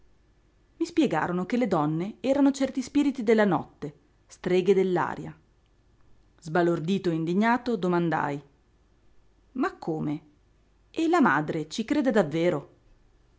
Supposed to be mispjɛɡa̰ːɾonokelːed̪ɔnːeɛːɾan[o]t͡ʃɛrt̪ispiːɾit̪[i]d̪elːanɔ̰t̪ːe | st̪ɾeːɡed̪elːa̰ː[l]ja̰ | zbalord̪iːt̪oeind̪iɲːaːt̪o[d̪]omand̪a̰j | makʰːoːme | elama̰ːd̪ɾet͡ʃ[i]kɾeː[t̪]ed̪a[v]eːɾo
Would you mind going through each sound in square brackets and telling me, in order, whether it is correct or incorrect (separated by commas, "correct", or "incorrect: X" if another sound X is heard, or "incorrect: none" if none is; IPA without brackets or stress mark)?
correct, correct, incorrect: ɾ, correct, correct, incorrect: d̪, incorrect: vː